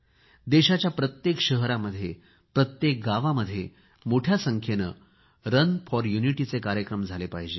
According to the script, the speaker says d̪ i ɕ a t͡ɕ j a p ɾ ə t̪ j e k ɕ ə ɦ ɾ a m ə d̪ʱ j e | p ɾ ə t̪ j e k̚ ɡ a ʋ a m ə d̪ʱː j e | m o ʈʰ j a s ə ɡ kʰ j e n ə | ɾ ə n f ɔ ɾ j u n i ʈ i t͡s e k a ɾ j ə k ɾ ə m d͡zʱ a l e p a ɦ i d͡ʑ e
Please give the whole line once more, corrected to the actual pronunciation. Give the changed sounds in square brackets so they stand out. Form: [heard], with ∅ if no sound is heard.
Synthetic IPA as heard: d̪ [e] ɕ a t͡ɕ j a p ɾ ə t̪ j e k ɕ ə ɦ ɾ a m ə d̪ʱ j e | p ɾ ə t̪ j e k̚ ɡ a ʋ a m ə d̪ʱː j e | m o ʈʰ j a s ə [ŋ] kʰ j e n ə | ɾ ə n f ɔ ɾ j u n i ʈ i t͡s e k a ɾ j ə k ɾ ə m d͡zʱ a l e p a ɦ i d͡ʑ e